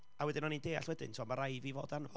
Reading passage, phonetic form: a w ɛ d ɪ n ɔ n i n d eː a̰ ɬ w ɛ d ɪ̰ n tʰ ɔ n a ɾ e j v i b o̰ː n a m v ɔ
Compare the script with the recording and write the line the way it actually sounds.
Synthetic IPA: a w ɛ d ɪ n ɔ n i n d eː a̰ ɬ w ɛ d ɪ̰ n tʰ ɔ m a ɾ a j v i v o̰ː d a n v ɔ